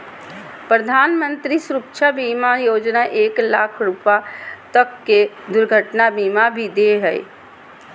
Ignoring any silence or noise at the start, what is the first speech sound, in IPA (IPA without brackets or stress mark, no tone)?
p